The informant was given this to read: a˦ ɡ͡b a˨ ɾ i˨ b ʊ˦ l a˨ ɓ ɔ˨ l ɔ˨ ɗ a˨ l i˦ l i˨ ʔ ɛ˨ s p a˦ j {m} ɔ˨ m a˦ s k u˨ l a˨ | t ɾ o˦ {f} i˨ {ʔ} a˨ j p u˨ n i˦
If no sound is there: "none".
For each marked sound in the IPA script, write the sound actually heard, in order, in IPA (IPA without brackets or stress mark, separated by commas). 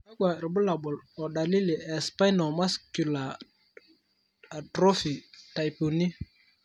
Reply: n, f, t